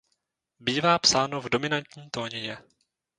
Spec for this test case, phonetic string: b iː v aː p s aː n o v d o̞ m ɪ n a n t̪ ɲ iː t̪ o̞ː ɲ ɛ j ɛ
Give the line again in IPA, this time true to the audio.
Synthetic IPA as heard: b iː v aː p s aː n o v d o̞ m ɪ n a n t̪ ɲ iː t̪ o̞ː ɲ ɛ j ɛ